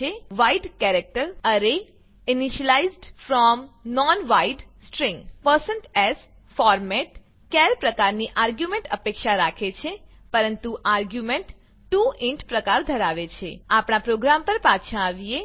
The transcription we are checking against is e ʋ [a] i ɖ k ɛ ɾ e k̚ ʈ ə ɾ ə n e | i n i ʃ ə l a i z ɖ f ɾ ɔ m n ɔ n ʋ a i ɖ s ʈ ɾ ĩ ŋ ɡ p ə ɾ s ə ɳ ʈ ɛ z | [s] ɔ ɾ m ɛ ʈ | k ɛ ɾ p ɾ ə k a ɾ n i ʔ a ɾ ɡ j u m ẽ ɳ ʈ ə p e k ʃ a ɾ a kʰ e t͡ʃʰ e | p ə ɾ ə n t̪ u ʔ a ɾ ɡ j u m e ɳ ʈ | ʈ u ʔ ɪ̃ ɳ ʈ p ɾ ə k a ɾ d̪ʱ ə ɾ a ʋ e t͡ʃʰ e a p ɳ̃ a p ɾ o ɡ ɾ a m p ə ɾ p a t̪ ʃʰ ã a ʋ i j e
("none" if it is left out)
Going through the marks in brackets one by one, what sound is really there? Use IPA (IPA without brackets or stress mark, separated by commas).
a, f